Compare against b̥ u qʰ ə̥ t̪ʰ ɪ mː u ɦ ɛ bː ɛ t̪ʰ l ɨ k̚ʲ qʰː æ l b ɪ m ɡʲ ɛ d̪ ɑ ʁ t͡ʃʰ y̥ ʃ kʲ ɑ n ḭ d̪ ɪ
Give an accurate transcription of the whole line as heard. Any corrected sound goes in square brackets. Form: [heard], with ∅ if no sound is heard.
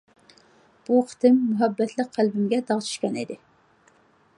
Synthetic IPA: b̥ u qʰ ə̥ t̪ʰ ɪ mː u ɦ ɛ bː ɛ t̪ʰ l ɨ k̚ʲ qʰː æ l b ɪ m ɡʲ ɛ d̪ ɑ ʁ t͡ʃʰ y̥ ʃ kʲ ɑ n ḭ d̪ ɪ